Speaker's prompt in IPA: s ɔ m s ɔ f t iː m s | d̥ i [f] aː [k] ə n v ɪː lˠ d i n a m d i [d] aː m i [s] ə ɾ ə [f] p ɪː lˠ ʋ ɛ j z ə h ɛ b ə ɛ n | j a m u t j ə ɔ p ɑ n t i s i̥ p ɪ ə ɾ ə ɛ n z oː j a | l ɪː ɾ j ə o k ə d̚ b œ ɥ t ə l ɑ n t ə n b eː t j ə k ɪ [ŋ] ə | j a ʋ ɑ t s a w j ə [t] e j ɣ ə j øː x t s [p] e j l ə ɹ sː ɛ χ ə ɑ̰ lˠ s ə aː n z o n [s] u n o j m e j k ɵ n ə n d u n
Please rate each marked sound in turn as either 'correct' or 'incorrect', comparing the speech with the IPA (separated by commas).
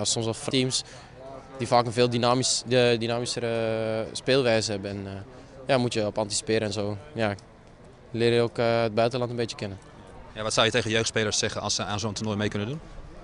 correct, correct, incorrect, correct, incorrect, incorrect, correct, correct, incorrect